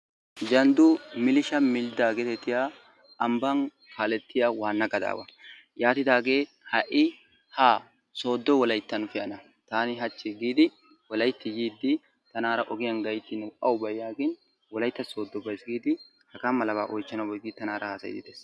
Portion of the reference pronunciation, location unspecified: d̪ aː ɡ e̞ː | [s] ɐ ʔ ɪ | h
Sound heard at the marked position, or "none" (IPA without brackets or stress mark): h